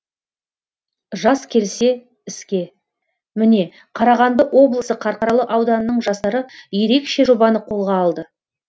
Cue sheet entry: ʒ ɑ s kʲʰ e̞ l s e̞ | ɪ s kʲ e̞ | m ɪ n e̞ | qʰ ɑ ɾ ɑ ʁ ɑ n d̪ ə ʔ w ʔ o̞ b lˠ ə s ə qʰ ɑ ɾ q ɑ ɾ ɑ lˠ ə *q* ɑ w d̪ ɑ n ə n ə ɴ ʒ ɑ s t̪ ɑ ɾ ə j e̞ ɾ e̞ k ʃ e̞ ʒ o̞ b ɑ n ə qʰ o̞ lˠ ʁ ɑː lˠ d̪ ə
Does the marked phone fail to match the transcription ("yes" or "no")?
yes